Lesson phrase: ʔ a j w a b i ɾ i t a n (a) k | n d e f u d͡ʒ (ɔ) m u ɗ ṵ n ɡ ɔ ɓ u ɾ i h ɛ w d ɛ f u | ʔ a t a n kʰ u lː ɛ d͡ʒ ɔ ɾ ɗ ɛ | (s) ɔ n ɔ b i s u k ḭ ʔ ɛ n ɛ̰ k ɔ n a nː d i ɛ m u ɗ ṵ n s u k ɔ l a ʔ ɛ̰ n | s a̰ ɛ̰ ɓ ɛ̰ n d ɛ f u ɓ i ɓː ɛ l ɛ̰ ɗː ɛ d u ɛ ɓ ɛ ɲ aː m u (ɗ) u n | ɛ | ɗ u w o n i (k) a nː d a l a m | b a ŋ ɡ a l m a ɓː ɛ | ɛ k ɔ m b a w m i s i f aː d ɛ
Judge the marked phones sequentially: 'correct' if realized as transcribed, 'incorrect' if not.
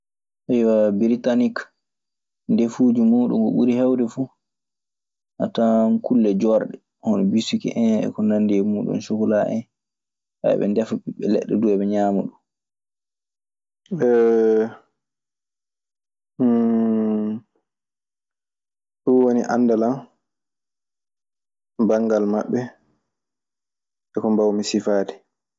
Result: incorrect, incorrect, incorrect, correct, incorrect

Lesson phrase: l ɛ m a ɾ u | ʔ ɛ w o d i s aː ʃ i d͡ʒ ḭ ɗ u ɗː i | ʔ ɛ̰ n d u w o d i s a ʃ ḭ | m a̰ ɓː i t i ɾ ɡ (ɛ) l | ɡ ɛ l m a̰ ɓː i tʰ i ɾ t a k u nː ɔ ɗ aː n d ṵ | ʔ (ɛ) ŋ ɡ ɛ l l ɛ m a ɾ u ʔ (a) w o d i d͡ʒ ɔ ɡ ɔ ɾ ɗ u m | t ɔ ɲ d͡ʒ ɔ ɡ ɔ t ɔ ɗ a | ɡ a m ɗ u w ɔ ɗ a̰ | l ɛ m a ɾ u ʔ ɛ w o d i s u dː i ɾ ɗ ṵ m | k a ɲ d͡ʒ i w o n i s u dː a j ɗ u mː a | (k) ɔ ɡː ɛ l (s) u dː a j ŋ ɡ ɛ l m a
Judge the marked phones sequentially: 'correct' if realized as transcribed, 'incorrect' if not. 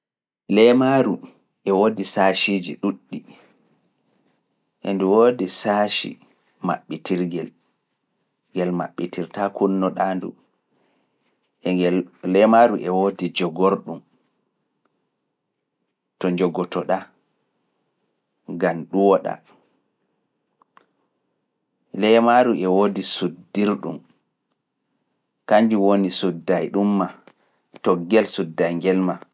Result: correct, correct, incorrect, incorrect, correct

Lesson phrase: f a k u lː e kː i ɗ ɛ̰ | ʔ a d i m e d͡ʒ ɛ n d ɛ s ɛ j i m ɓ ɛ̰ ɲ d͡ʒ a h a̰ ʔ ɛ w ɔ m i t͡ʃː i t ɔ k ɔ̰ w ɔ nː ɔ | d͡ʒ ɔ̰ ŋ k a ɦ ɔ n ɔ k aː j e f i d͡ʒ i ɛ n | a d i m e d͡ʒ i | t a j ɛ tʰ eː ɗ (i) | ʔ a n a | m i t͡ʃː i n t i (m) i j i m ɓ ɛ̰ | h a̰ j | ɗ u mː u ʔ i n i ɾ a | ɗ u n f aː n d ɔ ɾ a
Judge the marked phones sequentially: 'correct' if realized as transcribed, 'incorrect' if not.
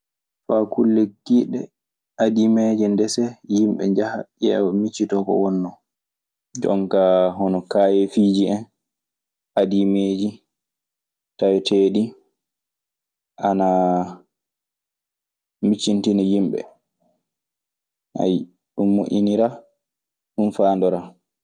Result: correct, incorrect

